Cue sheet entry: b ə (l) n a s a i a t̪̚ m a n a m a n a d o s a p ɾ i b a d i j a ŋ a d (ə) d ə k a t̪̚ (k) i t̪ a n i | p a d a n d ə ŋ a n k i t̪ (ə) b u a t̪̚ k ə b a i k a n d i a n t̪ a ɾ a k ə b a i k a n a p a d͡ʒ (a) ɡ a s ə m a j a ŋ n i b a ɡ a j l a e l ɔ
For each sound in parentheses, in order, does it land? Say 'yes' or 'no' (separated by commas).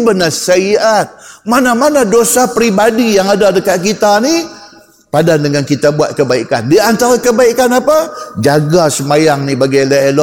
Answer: no, no, yes, no, yes